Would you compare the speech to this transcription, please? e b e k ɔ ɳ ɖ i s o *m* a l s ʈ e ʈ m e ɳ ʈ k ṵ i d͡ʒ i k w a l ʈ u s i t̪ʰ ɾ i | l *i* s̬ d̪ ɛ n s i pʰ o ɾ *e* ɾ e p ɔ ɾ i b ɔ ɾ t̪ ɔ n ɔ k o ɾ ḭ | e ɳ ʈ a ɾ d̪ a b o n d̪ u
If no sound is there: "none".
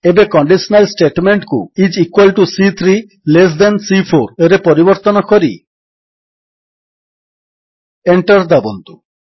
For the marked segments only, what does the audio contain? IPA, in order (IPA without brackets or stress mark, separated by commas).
n, e, e